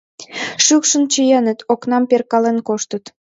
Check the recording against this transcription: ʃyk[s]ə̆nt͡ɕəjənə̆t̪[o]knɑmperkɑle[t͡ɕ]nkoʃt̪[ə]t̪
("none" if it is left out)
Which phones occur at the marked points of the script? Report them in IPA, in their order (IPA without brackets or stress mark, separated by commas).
ʃ, o, none, ə